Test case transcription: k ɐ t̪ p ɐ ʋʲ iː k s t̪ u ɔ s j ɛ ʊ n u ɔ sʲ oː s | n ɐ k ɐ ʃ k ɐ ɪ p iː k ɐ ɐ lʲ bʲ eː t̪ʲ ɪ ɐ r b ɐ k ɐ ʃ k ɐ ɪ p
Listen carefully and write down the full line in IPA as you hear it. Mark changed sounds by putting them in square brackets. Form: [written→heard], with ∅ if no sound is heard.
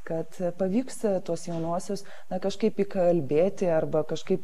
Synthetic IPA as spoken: k ɐ t̪ p ɐ ʋʲ iː k s t̪ u ɔ s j ɛ ʊ n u ɔ sʲ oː s | n ɐ k ɐ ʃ k ɐ ɪ p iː k ɐ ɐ lʲ bʲ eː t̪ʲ ɪ ɐ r b ɐ k ɐ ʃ k ɐ ɪ p